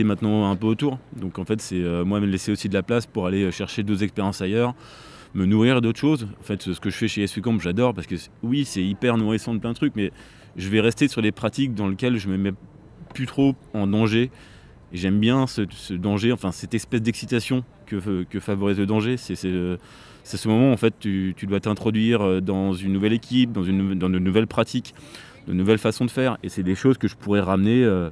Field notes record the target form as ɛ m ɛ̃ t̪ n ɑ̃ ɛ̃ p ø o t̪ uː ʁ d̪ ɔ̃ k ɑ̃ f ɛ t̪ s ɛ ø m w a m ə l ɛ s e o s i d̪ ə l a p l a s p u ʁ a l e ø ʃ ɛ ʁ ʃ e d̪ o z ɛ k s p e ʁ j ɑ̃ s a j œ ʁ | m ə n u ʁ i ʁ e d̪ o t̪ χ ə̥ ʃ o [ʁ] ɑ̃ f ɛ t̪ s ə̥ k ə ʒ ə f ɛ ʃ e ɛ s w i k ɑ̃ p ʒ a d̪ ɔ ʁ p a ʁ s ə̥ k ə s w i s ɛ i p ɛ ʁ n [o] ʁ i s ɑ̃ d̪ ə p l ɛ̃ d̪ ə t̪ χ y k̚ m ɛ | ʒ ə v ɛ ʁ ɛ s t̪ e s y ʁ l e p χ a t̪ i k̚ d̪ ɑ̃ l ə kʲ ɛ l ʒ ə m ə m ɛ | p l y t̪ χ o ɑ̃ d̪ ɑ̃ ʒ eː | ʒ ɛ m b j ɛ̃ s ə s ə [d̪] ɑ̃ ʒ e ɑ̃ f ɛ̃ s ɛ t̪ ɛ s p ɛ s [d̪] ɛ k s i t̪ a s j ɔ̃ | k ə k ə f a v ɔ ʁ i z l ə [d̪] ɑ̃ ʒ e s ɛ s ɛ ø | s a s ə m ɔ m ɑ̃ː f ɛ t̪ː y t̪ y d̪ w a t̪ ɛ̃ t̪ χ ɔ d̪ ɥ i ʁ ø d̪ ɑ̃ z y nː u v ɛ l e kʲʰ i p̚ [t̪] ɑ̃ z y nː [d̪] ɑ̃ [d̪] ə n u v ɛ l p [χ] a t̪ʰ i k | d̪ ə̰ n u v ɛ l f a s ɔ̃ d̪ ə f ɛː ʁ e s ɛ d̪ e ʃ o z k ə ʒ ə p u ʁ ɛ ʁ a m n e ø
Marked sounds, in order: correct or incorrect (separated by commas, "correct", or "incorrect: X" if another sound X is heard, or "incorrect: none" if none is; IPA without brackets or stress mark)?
incorrect: z, incorrect: u, correct, correct, correct, incorrect: d̪, correct, correct, correct